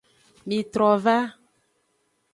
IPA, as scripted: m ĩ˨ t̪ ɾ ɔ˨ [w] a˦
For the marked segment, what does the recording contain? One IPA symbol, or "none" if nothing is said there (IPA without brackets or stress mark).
v